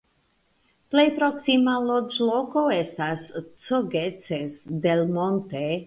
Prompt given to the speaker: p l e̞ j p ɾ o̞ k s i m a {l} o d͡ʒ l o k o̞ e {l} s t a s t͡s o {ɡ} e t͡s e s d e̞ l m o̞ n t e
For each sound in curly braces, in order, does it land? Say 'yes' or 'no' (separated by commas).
yes, no, yes